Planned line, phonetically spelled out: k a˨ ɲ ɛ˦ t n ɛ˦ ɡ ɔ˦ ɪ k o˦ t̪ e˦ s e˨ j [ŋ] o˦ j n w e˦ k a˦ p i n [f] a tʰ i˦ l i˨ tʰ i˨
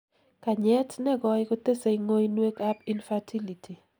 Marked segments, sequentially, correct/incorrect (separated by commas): correct, correct